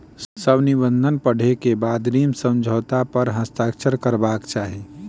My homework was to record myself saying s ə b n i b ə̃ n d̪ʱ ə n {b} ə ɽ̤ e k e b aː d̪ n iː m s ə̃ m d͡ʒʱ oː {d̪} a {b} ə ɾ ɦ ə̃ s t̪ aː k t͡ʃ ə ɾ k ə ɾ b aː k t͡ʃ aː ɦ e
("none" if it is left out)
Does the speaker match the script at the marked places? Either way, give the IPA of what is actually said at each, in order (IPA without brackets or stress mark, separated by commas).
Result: p, t̪, p